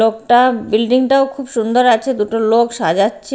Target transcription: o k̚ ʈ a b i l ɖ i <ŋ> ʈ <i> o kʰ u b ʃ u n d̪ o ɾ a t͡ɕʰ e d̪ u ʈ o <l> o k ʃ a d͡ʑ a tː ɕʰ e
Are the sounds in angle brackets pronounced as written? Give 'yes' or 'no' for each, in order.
yes, no, yes

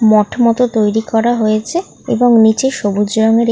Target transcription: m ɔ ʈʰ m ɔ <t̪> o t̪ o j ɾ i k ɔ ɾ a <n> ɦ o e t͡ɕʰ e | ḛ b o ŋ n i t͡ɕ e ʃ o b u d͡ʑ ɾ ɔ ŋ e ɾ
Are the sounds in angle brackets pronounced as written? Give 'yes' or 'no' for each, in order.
yes, no

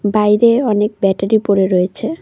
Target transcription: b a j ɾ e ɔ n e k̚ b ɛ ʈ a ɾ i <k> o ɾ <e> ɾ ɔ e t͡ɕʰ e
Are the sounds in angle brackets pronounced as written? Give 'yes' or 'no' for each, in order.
no, yes

